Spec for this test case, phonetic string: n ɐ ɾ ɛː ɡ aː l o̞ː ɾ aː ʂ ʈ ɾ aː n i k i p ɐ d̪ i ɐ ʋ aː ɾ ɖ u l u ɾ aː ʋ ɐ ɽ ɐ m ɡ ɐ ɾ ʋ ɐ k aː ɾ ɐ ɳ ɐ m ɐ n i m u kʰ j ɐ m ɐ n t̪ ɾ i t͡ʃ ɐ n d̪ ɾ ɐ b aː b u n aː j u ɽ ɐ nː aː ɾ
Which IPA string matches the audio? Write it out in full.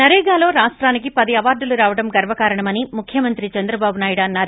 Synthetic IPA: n ɐ ɾ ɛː ɡ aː l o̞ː ɾ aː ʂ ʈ ɾ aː n i k i p ɐ d̪ i ɐ ʋ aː ɾ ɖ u l u ɾ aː ʋ ɐ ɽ ɐ m ɡ ɐ ɾ ʋ ɐ k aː ɾ ɐ ɳ ɐ m ɐ n i m u kʰ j ɐ m ɐ n t̪ ɾ i t͡ʃ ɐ n d̪ ɾ ɐ b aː b u n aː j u ɽ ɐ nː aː ɾ